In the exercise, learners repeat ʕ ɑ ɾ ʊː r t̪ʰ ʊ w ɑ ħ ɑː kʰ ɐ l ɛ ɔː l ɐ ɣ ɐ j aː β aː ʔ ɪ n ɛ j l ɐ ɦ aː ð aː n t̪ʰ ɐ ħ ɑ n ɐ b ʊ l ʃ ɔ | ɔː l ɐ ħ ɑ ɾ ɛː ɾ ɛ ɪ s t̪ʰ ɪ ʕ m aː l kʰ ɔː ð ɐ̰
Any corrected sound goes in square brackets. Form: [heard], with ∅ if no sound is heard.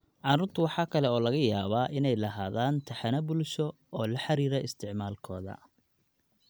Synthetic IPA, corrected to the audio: ʕ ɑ ɾ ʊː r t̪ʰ ʊ w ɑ ħ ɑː kʰ ɐ l ɛ ɔː l ɐ ɣ ɐ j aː β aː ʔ ɪ n ɛ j l ɐ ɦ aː ð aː n t̪ʰ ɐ ħ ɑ n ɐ b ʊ l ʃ ɔ | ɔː l ɐ ħ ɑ ɾ [iː] ɾ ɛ ɪ s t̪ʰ ɪ ʕ m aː l kʰ ɔː ð ɐ̰